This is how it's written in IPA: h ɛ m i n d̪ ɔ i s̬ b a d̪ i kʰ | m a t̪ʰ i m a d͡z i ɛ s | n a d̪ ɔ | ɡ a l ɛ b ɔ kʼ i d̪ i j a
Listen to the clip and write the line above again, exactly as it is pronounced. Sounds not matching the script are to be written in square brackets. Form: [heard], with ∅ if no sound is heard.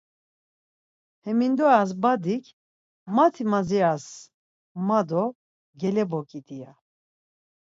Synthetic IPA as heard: h ɛ m i n d̪ ɔ [a] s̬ b a d̪ i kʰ | m a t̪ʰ i m a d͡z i [a] s | [m] a d̪ ɔ | ɡ [ɛ] l ɛ b ɔ kʼ i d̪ i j a